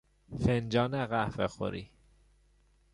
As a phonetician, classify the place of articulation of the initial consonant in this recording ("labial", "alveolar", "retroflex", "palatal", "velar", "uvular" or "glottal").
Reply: labial